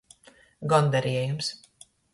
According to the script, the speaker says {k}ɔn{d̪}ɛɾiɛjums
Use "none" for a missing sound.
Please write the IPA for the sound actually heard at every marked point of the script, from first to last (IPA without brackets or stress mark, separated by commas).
ɡ, d̪